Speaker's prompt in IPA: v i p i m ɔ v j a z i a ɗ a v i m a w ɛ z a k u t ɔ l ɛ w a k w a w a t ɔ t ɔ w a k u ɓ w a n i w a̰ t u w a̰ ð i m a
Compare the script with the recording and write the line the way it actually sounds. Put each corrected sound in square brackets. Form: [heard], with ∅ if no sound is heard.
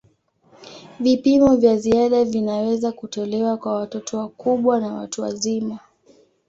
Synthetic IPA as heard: v i p i m ɔ v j a z i a ɗ a v i [n] a w ɛ z a k u t ɔ l ɛ w a k w a w a t ɔ t ɔ w a k u ɓ w a n [a] w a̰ t u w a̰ [z] i m a